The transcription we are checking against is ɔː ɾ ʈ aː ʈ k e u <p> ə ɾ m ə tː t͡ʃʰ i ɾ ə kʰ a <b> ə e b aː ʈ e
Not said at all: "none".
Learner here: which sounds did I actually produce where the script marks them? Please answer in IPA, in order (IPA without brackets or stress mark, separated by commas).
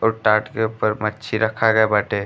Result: p, ɡ